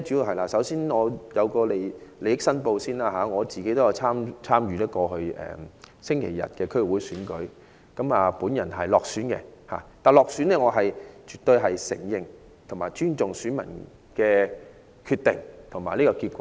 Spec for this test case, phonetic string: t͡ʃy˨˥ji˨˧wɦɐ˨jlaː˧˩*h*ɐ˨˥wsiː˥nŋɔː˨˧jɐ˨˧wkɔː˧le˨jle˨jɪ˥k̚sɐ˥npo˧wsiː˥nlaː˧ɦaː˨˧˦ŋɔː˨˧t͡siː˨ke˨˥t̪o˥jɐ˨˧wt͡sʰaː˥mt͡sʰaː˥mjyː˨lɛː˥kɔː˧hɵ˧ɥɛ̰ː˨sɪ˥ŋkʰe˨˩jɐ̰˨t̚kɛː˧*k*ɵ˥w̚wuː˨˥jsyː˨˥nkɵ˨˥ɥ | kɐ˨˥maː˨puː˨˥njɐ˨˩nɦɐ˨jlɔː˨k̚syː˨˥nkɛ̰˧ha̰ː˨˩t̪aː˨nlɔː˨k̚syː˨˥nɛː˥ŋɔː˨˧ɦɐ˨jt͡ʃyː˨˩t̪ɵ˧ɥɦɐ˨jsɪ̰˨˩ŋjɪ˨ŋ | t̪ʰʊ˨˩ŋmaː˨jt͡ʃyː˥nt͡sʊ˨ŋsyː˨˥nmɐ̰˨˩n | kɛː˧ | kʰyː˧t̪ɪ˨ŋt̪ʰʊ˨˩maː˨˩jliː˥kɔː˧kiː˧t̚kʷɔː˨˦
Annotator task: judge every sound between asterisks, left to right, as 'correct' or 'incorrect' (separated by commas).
incorrect, incorrect